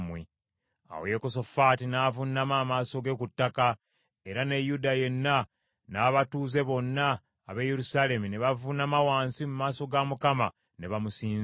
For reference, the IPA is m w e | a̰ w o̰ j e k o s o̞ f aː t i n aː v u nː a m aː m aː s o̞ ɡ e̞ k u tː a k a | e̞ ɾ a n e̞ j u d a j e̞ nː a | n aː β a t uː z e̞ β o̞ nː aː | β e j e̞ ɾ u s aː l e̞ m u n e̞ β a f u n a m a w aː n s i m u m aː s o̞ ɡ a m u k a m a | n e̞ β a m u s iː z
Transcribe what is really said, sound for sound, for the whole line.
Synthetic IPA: m w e | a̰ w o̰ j e k o s o̞ f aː t i n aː v u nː a m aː m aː s o̞ ɡ e̞ k u tː a k a | e̞ ɾ a n e̞ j u d a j e̞ nː a | n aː β a t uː z e̞ β o̞ nː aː | β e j e̞ ɾ u s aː l e̞ m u n e̞ β a v u n a m a w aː n s i m u m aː s o̞ ɡ a m u k a m a | n e̞ β a m u s iː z

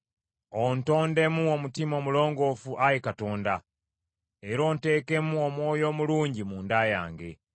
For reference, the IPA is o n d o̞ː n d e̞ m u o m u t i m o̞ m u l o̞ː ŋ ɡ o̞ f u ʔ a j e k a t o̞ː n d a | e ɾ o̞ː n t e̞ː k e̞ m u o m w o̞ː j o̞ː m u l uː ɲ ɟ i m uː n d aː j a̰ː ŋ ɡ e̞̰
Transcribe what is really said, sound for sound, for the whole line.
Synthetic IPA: o n t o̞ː n d e̞ m u o m u t i m o̞ m u l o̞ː ŋ ɡ o̞ f u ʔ a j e k a t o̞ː n d a | e ɾ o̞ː n t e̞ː k e̞ m u o m w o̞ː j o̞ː m u l uː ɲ ɟ i m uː n d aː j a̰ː ŋ ɡ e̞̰

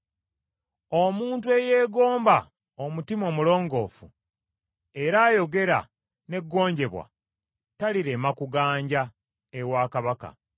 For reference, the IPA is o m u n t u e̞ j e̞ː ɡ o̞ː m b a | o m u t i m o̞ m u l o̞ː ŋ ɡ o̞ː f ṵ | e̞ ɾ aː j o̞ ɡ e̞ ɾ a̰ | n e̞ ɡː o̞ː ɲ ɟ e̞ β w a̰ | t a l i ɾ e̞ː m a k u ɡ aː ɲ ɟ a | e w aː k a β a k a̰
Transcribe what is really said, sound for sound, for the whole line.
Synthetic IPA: o m uː n t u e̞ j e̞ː ɡ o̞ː m b a | o m u t i m o̞ m u l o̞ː ŋ ɡ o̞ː f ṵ | e̞ ɾ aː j o̞ ɡ e̞ ɾ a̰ | n e̞ ɡː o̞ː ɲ ɟ e̞ β w a̰ | t a l i ɾ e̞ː m a k u ɡ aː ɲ ɟ a | e w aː k a β a k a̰

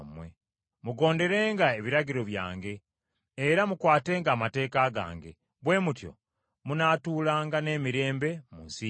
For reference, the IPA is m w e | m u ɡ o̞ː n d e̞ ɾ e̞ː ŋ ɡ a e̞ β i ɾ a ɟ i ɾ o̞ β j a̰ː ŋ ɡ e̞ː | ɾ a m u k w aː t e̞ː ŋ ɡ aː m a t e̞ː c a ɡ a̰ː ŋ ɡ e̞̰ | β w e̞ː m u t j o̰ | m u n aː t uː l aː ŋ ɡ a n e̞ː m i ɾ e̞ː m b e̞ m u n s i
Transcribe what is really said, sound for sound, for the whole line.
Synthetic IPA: m w e | m u ɡ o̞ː n d e̞ ɾ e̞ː ŋ ɡ a e̞ β i ɾ a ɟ i ɾ o̞ β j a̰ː ŋ ɡ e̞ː | ɾ a m u k w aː t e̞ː ŋ ɡ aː m a t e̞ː k a ɡ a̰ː ŋ ɡ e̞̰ | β w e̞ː m u t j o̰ | m u n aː t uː l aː ŋ ɡ a n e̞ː m i ɾ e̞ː m b e̞ m u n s i

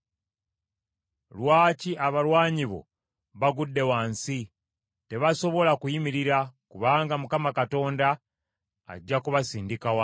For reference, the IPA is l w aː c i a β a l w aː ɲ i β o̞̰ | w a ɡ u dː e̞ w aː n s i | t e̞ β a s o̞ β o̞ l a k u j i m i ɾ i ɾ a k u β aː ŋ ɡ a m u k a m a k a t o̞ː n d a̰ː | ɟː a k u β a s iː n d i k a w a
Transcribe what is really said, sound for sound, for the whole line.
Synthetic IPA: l w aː c i a β a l w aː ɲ i β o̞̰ | β a ɡ u dː e̞ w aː n s i | t e̞ β a s o̞ β o̞ l a k u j i m i ɾ i ɾ a k u β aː ŋ ɡ a m u k a m a k a t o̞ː n d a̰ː | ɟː a k u β a s iː n d i k a w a

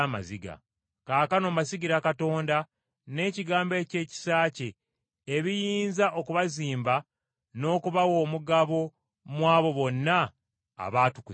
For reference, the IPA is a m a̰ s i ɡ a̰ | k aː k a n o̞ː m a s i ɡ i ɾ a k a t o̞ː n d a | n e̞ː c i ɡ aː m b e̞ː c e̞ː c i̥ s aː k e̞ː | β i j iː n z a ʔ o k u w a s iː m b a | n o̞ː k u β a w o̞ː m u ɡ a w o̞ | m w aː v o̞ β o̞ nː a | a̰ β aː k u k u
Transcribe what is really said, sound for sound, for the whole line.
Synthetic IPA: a m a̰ z i ɡ a̰ | k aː k a n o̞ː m a s i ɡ i ɾ a k a t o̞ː n d a | n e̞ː c i ɡ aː m b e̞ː c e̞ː c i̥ s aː c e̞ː | β i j iː n z a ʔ o k u β a z iː m b a | n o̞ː k u β a w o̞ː m u ɡ a β o̞ | m w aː β o̞ β o̞ nː a | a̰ β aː t u k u

